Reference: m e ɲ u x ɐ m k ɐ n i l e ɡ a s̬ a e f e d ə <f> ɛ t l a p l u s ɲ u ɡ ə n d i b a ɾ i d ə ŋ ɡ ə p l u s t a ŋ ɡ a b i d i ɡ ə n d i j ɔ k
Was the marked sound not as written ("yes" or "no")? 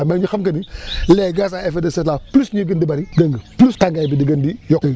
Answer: yes